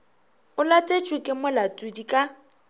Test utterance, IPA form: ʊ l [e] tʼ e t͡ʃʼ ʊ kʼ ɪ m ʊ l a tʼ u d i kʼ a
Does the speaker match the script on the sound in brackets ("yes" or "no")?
no